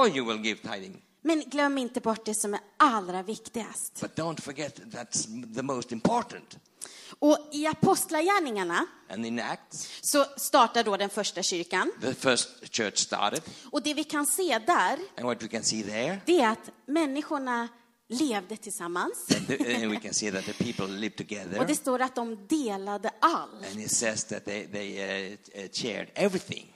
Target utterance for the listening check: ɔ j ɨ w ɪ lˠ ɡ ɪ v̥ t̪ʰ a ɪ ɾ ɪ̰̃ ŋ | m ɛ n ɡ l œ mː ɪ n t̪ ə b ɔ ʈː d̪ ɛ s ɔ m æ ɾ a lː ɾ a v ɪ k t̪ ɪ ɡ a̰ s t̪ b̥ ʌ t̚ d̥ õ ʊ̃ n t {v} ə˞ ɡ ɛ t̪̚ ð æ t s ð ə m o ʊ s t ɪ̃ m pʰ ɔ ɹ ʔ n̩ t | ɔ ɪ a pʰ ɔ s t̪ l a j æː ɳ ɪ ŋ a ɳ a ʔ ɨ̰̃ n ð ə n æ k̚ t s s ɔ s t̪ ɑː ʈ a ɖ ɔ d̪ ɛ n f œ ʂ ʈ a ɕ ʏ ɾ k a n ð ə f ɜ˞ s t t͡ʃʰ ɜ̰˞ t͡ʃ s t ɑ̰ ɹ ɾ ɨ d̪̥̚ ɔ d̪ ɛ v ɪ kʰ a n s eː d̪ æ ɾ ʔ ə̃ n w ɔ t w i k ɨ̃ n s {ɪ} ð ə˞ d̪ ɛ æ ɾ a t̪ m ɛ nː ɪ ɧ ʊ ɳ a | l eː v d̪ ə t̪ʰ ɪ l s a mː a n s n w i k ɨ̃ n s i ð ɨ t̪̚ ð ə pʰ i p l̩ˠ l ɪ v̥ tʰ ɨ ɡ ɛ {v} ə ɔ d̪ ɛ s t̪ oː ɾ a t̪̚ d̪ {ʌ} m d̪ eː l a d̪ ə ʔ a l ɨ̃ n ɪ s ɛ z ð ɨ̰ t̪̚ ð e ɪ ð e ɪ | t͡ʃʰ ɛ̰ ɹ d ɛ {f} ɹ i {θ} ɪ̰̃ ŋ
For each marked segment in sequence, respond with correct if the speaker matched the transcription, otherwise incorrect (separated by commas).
incorrect, incorrect, incorrect, incorrect, incorrect, correct